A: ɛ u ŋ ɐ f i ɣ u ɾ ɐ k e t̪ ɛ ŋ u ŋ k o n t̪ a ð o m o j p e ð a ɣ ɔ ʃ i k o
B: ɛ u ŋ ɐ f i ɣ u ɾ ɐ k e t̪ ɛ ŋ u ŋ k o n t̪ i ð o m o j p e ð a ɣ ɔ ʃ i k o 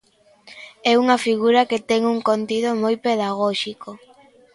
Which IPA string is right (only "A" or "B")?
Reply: B